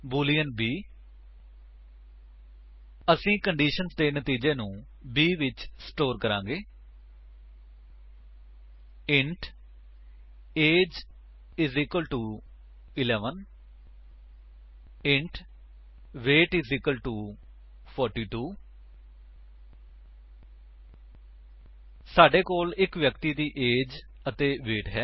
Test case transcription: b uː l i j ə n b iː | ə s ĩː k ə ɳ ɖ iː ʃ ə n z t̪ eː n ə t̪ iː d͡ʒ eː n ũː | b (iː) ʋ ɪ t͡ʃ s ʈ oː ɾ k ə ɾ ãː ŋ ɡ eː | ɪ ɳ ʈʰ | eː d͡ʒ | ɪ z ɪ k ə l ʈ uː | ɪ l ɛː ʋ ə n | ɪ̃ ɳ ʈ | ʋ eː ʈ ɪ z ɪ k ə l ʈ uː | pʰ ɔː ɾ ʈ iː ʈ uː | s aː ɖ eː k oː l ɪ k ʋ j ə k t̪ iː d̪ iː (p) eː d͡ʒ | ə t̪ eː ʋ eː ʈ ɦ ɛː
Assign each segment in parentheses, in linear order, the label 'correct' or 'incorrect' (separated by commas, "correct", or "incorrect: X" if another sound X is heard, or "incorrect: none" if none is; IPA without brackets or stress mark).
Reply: correct, incorrect: ʔ